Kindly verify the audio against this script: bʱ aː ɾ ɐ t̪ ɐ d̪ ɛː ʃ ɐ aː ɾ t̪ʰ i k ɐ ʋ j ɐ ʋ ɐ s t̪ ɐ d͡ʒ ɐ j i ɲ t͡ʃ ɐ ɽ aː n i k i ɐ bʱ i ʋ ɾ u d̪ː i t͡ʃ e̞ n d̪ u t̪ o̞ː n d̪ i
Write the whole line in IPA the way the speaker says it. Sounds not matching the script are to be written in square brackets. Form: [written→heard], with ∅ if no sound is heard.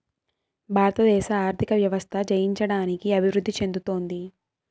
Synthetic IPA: bʱ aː ɾ ɐ t̪ ɐ d̪ ɛː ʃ ɐ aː ɾ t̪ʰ i k ɐ ʋ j ɐ ʋ ɐ s [t̪→t̪ʰ] ɐ d͡ʒ ɐ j i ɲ t͡ʃ ɐ ɽ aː n i k i ɐ bʱ i ʋ ɾ u d̪ː i t͡ʃ e̞ n d̪ u t̪ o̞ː n d̪ i